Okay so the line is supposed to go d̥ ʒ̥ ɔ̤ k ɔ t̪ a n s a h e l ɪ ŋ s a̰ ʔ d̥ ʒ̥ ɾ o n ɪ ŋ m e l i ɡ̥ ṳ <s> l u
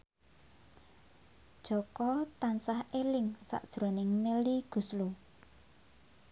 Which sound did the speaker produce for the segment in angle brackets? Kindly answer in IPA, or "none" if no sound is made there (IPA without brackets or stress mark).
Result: s